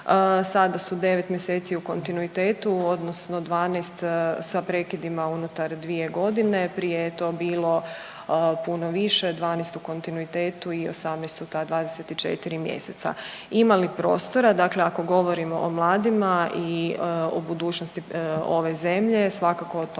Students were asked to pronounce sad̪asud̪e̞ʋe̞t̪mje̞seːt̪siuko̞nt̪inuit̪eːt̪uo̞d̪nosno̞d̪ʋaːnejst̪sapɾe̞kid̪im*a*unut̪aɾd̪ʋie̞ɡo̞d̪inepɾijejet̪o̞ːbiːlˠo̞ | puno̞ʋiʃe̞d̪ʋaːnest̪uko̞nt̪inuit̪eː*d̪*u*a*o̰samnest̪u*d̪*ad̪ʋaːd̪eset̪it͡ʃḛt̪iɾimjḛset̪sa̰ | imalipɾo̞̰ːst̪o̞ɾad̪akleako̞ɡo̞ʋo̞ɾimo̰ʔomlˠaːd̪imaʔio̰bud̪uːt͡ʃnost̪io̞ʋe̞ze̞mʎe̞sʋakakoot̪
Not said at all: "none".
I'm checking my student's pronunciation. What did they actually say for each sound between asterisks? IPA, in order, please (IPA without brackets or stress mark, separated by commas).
a, t̪, i, t̪